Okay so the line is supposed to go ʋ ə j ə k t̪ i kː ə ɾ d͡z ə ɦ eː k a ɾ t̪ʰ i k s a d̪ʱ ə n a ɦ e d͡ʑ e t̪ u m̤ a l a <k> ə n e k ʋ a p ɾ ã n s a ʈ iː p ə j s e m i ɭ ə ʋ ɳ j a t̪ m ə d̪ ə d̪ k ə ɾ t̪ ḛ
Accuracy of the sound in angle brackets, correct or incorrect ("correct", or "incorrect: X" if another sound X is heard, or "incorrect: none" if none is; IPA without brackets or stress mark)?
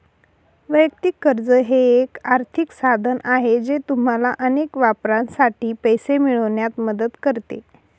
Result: incorrect: ʔ